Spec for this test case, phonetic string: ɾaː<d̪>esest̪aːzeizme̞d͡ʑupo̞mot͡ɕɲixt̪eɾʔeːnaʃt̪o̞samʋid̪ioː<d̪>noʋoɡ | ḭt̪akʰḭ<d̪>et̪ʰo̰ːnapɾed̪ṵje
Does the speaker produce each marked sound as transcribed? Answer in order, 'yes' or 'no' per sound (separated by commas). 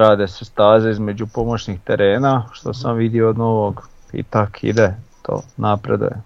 yes, yes, yes